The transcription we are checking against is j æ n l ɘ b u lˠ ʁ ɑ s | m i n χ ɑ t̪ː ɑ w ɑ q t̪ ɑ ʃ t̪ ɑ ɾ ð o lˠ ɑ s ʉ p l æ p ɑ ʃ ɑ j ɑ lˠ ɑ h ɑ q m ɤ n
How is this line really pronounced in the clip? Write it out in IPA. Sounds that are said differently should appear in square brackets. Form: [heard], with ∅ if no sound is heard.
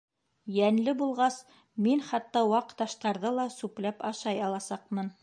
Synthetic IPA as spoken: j æ n l ɘ b u lˠ ʁ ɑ s | m i n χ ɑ t̪ː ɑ w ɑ q t̪ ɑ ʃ t̪ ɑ ɾ ð [ɤ] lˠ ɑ s ʉ p l æ p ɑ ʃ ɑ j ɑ lˠ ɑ [s] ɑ q m ɤ n